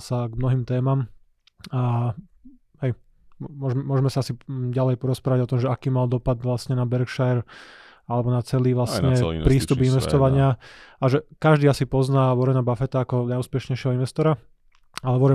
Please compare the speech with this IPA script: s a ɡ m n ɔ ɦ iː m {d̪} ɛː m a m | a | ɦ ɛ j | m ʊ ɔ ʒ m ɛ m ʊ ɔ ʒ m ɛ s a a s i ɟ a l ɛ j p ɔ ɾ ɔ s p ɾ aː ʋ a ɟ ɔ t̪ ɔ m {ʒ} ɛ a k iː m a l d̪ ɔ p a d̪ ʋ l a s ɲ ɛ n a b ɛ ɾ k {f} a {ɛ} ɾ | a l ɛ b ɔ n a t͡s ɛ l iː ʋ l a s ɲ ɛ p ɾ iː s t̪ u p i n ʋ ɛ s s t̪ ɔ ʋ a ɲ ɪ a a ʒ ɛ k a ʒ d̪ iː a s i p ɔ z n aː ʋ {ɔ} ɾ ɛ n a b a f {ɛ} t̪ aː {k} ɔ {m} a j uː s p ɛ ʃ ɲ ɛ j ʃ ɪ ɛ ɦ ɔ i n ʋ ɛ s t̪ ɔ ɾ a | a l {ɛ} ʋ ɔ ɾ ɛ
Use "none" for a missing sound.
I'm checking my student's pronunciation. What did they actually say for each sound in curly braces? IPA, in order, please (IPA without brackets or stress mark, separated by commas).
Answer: t̪, ʒ, ʃ, ɛ, ɔ, ɛ, k, n, ɛ